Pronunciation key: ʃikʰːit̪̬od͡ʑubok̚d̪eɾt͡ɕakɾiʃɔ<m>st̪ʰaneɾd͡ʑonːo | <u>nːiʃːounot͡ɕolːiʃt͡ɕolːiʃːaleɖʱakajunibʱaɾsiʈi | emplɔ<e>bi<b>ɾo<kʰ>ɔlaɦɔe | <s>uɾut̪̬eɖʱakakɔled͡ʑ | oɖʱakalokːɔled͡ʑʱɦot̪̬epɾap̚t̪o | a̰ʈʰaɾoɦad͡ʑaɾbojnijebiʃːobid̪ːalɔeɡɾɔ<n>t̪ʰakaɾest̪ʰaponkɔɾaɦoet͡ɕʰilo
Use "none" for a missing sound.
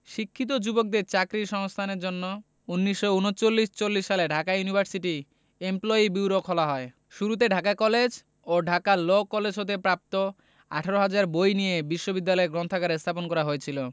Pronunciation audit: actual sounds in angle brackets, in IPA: ŋ, u, i, w, kʰ, ʃ, n

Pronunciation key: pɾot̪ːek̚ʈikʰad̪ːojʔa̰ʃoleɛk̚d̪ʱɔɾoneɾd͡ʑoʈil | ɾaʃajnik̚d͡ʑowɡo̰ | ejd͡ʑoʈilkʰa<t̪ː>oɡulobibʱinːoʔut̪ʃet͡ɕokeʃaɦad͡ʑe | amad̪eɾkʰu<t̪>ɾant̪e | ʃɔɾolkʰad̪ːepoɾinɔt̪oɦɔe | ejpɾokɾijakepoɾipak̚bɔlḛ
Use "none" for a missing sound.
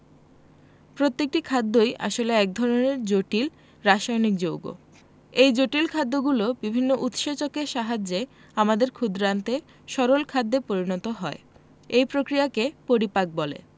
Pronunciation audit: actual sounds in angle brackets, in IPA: d̪ː, d̪

